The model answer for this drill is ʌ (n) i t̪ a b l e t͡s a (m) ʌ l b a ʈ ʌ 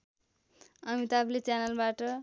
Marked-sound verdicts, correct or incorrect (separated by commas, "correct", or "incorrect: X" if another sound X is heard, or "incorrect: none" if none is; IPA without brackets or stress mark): incorrect: m, incorrect: n